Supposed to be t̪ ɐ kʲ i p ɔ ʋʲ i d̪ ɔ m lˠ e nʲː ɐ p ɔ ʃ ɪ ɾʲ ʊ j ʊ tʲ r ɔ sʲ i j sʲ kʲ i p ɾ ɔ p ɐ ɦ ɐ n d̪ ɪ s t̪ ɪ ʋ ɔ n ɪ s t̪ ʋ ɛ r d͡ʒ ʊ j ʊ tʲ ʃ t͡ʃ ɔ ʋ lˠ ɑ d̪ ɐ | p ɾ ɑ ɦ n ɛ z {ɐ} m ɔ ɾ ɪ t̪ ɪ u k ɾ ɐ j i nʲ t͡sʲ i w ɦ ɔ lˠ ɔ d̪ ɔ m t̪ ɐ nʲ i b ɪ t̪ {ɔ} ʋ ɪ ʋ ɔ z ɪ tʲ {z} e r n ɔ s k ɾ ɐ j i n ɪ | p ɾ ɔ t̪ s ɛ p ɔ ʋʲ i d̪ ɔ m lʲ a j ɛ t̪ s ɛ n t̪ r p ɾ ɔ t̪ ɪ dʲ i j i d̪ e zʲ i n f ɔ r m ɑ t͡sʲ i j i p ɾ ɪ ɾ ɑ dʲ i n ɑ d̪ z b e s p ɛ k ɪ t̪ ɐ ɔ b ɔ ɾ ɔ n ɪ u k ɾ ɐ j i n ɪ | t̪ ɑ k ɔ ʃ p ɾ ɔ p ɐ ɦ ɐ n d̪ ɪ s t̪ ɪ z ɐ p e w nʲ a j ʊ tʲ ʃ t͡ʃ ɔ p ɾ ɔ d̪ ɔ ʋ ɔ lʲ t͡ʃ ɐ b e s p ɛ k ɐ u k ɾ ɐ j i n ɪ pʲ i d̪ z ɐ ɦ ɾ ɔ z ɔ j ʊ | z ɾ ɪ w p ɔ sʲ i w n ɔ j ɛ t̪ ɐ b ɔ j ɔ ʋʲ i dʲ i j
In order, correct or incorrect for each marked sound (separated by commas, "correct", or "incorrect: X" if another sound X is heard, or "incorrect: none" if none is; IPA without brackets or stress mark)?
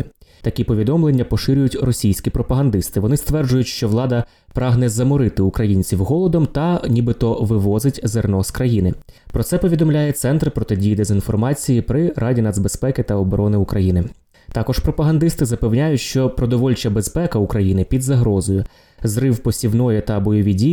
correct, correct, correct